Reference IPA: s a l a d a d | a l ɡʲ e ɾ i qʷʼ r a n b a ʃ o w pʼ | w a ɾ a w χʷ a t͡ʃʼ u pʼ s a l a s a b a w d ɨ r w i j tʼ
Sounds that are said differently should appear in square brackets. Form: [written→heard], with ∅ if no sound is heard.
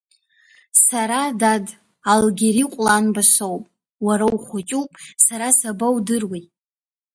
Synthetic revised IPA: s a [l→ɾ] a d a d | a l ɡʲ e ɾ i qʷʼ [r→l] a n b a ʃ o w pʼ | w a ɾ a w χʷ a t͡ʃʼ u pʼ s a [l→ɾ] a s a b a w d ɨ r w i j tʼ